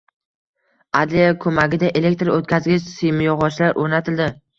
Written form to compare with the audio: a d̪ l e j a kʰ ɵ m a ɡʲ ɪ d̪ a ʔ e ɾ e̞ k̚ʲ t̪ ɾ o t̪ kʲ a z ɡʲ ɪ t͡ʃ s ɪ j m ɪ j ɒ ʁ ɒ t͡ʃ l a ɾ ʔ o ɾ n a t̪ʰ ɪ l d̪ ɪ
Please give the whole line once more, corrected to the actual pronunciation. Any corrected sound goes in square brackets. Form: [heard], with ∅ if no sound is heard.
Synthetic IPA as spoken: a d̪ l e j a kʰ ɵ m a ɡʲ ɪ d̪ a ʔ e [l] e̞ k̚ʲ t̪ ɾ o t̪ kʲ a z ɡʲ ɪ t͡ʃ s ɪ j m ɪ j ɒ ʁ ɒ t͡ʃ l a ɾ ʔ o ɾ n a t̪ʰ ɪ l d̪ ɪ